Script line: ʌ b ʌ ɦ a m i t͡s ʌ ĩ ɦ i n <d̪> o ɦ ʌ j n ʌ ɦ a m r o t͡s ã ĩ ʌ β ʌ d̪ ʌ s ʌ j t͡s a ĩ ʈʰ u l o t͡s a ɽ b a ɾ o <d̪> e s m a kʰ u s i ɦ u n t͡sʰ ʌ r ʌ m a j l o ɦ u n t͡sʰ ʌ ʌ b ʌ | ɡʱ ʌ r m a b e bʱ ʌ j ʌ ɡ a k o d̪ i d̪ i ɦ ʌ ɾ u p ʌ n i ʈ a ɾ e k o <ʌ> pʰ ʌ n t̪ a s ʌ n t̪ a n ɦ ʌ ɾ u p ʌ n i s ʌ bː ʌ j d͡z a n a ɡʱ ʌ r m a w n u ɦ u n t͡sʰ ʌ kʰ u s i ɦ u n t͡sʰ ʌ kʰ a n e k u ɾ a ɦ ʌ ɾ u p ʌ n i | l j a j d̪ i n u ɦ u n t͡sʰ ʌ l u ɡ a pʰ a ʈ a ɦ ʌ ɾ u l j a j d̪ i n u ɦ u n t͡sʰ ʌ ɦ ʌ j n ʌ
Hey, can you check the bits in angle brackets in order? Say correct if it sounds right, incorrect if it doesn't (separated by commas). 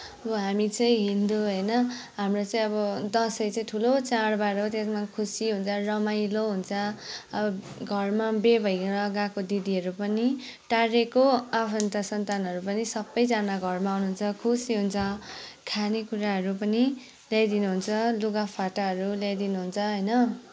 correct, incorrect, incorrect